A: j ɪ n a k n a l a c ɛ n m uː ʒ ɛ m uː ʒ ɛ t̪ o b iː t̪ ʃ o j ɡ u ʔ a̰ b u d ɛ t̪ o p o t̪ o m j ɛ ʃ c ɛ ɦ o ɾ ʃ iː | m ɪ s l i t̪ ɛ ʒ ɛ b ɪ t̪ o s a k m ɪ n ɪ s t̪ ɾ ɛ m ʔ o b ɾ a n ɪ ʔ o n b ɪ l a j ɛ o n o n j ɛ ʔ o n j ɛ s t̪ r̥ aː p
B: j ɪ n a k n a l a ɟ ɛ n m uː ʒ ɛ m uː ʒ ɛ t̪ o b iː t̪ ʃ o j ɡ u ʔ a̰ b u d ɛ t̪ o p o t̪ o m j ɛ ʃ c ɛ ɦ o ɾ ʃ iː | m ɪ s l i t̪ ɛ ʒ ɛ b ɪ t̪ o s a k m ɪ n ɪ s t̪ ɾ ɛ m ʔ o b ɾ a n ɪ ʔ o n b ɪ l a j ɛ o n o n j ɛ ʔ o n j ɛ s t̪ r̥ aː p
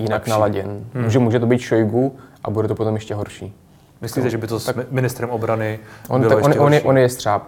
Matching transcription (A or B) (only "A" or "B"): B